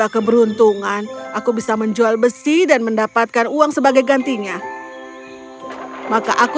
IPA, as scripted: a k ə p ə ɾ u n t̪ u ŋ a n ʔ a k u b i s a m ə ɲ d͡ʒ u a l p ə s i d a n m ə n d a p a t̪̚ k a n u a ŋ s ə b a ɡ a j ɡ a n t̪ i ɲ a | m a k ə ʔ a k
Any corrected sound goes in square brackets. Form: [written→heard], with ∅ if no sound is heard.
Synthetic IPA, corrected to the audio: a k ə [p→b] ə ɾ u n t̪ u ŋ a n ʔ a k u b i s a m ə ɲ d͡ʒ u a l [p→b] ə s i d a n m ə n d a p a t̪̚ k a n u a ŋ s ə b a ɡ a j ɡ a n t̪ i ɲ a | m a k [ə→a] ʔ a k